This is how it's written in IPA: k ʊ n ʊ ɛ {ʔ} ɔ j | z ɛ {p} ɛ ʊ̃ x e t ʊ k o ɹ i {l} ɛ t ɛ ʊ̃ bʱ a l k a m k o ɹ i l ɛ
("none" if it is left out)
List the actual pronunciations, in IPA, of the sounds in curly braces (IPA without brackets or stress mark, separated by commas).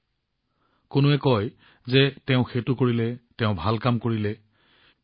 k, t, l